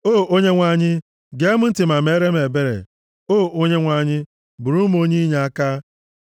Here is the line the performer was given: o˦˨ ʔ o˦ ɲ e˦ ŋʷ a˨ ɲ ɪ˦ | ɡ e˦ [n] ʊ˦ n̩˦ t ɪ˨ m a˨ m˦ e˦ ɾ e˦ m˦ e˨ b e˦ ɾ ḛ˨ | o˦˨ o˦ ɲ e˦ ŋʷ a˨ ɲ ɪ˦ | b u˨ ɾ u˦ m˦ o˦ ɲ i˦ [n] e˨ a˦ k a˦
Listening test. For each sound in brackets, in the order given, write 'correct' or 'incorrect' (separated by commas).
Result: incorrect, incorrect